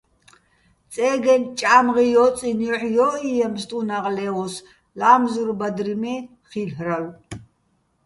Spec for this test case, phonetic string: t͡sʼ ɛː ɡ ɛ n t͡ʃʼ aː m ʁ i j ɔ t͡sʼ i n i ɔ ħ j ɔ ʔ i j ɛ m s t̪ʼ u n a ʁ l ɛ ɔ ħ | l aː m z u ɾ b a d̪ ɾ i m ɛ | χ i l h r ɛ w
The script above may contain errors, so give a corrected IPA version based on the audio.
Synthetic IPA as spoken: t͡sʼ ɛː ɡ ɛ n t͡ʃʼ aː m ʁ i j ɔ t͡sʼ i n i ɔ ħ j ɔ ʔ i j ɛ m s t̪ʼ u n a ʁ l ɛ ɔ s | l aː m z u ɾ b a d̪ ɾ i m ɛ | χ i l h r a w

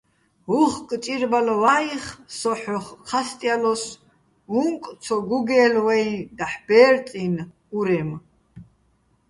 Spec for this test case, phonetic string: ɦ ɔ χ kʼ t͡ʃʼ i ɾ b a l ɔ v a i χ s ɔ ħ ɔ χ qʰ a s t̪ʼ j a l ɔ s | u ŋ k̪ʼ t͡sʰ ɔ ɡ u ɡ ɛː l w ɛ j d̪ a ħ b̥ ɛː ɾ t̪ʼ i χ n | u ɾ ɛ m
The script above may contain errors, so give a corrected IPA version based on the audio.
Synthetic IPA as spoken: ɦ u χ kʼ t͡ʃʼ i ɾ b a l ɔ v a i χ s ɔ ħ ɔ χ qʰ a s t̪ʼ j a l ɔ s | u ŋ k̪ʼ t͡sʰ ɔ ɡ u ɡ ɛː l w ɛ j d̪ a ħ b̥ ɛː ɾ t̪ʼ i n | u ɾ ɛ m

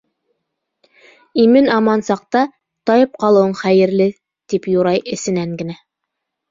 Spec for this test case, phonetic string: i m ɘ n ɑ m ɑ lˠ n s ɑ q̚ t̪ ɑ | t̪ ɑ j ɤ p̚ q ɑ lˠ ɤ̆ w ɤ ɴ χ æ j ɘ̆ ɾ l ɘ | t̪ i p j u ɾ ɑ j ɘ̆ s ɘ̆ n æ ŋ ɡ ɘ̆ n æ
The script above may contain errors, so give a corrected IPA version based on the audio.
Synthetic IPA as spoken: i m ɘ n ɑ m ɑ n s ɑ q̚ t̪ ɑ | t̪ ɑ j ɤ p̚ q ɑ lˠ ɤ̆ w ɤ ɴ χ æ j ɘ̆ ɾ l ɘ | t̪ i p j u ɾ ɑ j ɘ̆ s ɘ̆ n æ ŋ ɡ ɘ̆ n æ

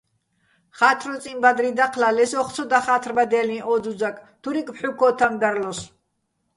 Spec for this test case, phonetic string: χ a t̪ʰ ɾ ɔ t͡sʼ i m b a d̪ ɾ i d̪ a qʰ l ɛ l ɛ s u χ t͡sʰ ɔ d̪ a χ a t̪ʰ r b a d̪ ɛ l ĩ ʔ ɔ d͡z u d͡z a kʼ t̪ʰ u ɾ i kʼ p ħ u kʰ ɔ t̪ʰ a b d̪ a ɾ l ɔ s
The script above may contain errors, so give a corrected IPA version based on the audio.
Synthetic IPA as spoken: χ a t̪ʰ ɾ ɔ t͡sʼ i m b a d̪ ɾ i d̪ a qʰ l a l ɛ s ɔ χ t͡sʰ ɔ d̪ a χ a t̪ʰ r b a d̪ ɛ l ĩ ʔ ɔ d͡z u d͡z a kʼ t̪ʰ u ɾ i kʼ p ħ u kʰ ɔ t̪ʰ a m d̪ a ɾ l ɔ s

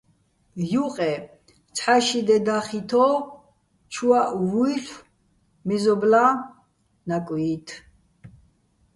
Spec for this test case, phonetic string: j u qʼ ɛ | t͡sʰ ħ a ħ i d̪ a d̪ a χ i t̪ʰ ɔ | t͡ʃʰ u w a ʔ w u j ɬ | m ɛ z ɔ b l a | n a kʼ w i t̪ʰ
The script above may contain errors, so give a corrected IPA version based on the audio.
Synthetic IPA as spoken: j u qʼ ɛ | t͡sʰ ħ a ʃ i d̪ ɛ d̪ a χ i t̪ʰ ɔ | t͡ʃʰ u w a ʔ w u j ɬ | m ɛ z ɔ b l a | n a kʼ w i t̪ʰ

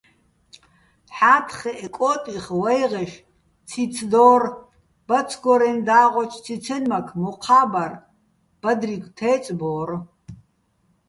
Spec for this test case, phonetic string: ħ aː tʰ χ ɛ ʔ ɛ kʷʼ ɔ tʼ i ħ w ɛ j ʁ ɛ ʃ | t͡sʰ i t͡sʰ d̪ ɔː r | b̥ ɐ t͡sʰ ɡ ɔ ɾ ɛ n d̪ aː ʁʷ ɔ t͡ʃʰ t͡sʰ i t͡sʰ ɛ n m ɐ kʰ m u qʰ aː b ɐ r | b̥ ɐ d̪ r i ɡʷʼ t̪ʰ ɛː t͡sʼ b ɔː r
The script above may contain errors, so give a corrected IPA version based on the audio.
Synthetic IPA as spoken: ħ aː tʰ χ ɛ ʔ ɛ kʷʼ ɔ tʼ i χ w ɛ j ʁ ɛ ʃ | t͡sʰ i t͡sʰ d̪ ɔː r | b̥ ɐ t͡sʰ ɡ ɔ ɾ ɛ n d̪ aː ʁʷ ɔ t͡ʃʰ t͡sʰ i t͡sʰ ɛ n m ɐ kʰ m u qʰ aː b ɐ r | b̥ ɐ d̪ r i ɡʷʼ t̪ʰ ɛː t͡sʼ b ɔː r

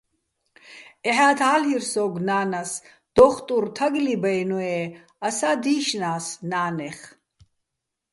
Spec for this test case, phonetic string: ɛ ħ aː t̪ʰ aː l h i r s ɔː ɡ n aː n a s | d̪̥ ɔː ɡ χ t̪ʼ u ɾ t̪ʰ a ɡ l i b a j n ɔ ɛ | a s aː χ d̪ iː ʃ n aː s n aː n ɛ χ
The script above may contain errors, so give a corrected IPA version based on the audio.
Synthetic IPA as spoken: ɛ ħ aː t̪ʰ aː l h i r s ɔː ɡ n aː n a s | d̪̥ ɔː χ t̪ʼ u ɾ t̪ʰ a ɡ l i b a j n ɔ ɛ | a s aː d̪ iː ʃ n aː s n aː n ɛ χ

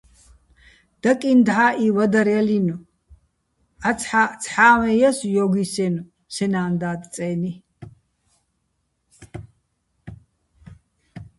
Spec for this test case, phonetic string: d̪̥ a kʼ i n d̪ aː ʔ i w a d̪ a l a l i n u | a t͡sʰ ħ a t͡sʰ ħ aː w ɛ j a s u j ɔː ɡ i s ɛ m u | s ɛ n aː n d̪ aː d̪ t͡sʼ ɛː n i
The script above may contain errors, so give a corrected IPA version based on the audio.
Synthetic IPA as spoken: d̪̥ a kʼ i n d̪ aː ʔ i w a d̪ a ɾ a l i n u | a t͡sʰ ħ a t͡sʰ ħ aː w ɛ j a s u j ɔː ɡ i s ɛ n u | s ɛ n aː n d̪ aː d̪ t͡sʼ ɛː n i

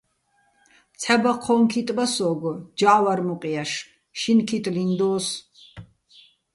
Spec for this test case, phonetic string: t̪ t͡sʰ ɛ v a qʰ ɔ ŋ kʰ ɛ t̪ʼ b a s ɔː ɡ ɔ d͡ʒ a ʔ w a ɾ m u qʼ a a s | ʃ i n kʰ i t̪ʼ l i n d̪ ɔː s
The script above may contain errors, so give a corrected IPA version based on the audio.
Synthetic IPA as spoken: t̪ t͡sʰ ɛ b a qʰ ɔ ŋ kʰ i t̪ʼ b a s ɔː ɡ ɔ d͡ʒ a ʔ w a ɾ m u qʼ i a ʃ | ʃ i n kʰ i t̪ʼ l i n d̪ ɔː s

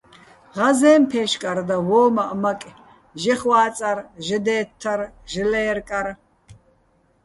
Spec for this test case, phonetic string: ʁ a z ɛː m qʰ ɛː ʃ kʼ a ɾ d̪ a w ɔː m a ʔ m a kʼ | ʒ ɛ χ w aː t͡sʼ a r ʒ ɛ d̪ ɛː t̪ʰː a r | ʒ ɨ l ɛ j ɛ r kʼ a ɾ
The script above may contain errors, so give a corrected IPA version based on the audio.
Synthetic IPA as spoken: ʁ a z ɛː m pʰ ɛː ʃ kʼ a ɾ d̪ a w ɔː m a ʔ m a kʼ | ʒ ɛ χ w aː t͡sʼ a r ʒ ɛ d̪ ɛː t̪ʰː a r | ʒ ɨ l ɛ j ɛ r kʼ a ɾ

